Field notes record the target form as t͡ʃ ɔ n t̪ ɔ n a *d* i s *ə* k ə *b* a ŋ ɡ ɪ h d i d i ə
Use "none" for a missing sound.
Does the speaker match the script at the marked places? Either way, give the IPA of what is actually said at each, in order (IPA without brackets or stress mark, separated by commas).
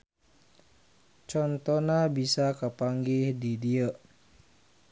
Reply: b, a, p